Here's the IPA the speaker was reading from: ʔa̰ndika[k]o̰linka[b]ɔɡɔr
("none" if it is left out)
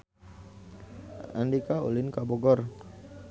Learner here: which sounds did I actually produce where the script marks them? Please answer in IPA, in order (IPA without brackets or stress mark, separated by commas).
none, b